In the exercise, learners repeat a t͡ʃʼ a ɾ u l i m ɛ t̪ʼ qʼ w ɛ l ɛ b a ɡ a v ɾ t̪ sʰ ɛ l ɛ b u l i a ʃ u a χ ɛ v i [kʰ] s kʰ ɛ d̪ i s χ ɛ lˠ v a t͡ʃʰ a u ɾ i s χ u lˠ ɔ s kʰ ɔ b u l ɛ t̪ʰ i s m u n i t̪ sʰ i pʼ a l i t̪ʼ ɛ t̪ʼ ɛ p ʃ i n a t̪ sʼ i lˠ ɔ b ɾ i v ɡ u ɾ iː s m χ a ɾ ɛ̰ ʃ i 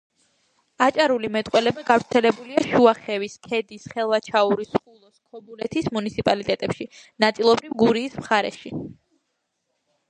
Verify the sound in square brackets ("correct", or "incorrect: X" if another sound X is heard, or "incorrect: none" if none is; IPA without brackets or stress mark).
incorrect: none